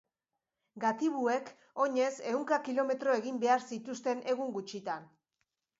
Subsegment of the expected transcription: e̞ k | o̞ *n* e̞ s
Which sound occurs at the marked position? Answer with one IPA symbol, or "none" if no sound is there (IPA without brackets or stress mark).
ɲ